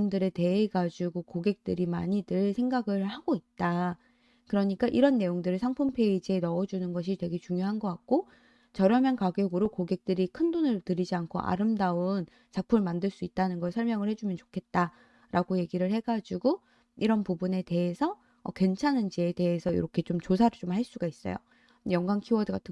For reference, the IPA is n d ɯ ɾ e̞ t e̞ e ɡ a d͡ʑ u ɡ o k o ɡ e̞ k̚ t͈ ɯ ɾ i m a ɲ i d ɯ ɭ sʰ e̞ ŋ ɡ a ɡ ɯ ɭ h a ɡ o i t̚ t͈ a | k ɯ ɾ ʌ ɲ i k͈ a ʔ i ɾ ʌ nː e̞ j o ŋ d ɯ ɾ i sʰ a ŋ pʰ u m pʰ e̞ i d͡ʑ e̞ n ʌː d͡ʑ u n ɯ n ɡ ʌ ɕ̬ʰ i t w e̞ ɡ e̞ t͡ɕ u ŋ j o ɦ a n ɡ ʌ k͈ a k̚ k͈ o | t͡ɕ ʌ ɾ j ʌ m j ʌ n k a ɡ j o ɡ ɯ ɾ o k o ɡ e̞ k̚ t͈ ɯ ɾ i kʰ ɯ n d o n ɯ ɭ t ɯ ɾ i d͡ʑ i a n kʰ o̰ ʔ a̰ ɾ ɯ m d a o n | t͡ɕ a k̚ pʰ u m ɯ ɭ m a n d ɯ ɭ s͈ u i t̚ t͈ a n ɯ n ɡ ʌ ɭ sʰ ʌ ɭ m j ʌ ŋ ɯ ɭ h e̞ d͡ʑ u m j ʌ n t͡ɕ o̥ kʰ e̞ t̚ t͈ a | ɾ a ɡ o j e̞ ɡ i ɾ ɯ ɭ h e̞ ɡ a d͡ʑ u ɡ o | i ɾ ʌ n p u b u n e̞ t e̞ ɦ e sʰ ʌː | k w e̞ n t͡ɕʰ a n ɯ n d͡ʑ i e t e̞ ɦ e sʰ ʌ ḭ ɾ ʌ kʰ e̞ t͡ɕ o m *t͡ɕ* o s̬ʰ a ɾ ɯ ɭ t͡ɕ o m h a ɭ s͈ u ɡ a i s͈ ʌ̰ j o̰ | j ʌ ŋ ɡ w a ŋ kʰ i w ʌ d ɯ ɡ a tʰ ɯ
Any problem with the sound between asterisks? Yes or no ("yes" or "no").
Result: no